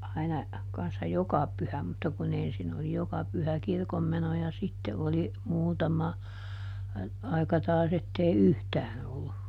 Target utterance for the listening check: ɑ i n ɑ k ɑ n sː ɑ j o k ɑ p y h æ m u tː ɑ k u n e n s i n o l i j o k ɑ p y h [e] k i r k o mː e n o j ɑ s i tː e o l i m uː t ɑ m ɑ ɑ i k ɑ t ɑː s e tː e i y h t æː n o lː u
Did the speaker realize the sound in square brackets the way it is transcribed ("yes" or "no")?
no